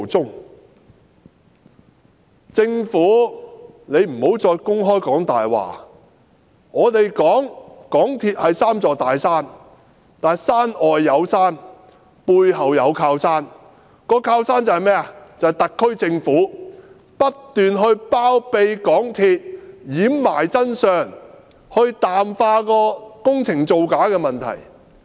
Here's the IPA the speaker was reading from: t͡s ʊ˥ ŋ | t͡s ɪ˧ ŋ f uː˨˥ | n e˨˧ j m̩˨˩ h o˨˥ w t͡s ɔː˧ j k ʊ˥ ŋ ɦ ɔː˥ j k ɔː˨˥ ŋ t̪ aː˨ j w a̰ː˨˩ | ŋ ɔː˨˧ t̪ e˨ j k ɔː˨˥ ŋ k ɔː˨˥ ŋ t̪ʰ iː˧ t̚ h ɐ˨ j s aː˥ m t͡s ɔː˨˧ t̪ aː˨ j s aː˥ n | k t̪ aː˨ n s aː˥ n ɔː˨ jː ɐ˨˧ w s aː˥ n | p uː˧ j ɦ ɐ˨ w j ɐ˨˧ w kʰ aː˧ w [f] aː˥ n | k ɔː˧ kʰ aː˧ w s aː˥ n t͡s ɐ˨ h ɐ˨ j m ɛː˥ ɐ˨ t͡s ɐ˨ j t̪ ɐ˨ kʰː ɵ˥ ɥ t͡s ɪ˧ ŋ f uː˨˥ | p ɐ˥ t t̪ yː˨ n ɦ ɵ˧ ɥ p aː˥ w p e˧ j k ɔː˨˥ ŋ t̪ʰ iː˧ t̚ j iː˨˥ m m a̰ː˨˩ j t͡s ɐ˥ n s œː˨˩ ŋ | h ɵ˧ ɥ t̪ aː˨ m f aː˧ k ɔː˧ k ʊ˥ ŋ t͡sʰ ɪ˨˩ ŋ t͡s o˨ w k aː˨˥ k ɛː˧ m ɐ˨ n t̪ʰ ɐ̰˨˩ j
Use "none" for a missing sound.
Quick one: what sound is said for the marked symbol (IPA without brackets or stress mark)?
s